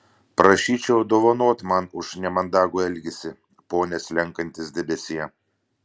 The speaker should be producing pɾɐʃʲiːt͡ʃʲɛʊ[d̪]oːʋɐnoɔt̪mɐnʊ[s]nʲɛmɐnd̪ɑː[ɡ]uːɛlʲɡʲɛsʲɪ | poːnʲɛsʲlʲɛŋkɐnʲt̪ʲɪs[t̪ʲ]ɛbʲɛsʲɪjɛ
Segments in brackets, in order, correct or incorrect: correct, incorrect, correct, incorrect

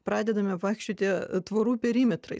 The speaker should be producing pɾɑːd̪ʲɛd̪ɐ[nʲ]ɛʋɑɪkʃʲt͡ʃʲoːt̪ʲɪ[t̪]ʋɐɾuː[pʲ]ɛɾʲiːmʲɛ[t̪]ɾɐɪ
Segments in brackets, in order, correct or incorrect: incorrect, correct, correct, correct

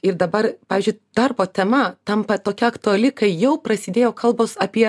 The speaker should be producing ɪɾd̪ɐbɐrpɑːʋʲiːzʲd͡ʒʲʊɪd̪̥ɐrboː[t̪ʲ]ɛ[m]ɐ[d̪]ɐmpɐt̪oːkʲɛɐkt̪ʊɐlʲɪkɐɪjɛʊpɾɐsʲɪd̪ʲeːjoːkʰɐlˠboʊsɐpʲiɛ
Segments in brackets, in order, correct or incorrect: correct, correct, incorrect

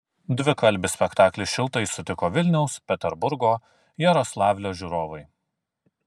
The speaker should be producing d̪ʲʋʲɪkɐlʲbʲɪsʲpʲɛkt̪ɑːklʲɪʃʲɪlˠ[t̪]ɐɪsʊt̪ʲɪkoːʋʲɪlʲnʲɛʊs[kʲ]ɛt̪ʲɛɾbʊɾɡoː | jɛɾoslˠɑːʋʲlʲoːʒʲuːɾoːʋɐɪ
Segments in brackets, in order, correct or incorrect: correct, incorrect

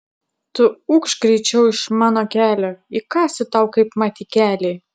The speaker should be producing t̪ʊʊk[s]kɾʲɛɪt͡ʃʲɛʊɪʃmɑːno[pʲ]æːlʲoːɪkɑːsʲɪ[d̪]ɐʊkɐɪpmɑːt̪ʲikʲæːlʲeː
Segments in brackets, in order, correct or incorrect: incorrect, incorrect, incorrect

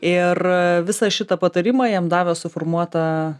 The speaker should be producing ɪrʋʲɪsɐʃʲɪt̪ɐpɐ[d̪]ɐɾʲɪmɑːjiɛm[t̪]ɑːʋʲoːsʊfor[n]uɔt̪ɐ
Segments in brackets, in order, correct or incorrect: incorrect, incorrect, incorrect

